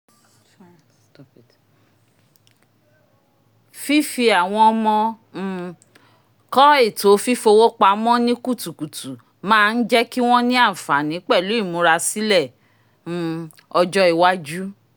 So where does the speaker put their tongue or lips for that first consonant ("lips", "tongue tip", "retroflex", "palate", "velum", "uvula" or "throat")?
lips